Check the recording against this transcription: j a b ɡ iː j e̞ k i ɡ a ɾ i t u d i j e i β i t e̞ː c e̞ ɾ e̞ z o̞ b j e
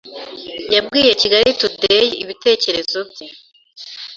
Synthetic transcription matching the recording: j a b ɡ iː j e̞ c i ɡ a ɾ i t u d e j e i β i t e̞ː c e̞ ɾ e̞ z o̞ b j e